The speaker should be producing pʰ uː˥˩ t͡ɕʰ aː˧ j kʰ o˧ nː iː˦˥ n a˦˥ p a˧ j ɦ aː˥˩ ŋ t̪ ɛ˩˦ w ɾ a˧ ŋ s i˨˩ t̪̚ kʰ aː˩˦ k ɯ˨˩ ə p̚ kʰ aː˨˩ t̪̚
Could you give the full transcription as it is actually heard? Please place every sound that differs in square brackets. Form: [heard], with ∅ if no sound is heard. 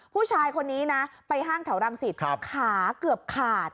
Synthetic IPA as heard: pʰ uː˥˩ t͡ɕʰ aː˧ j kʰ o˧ nː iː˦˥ n a˦˥ p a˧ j ɦ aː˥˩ ŋ [t̪ʰ] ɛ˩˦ w ɾ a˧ ŋ s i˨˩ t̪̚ kʰ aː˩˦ k ɯ˨˩ ə p̚ kʰ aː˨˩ t̪̚